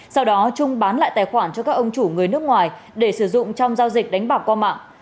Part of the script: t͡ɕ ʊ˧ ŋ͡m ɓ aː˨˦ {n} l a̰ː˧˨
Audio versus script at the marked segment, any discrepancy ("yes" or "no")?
no